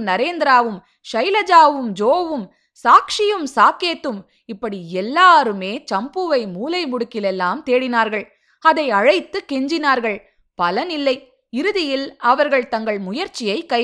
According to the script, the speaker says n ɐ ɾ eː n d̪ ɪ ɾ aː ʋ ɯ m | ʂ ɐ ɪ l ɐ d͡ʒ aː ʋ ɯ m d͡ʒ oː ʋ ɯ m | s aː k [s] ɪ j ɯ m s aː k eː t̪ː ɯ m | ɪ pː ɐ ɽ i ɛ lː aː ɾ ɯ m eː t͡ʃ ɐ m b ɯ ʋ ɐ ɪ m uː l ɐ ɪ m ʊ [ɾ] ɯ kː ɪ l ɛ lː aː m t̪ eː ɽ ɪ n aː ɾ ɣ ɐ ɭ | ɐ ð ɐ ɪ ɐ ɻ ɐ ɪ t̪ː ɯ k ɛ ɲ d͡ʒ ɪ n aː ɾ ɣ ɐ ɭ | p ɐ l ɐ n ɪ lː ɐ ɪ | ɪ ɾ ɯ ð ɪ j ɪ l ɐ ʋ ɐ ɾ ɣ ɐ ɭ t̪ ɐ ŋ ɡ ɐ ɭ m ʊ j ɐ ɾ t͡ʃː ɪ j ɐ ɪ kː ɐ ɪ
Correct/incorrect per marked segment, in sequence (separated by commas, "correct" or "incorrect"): incorrect, incorrect